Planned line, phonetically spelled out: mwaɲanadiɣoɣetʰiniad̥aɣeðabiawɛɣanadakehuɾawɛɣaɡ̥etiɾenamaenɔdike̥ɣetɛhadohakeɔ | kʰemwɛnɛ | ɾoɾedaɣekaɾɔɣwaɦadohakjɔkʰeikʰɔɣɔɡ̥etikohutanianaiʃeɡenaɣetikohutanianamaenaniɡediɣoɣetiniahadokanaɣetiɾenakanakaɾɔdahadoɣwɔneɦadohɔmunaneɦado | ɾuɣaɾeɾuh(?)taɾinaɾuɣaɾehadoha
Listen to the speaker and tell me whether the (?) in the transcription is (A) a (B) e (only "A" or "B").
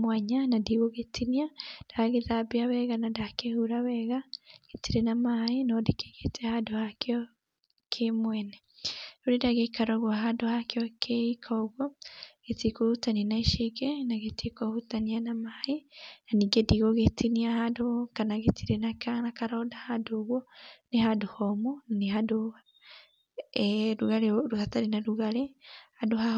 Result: A